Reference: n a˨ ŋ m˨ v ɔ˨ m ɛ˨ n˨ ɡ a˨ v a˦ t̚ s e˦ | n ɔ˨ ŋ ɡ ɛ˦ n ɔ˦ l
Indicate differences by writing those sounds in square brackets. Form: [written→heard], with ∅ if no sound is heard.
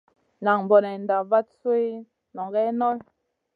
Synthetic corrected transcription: n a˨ ŋ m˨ [v→b] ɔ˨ [m→n] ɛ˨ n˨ [ɡ→d] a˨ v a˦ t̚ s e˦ | n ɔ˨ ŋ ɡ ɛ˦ n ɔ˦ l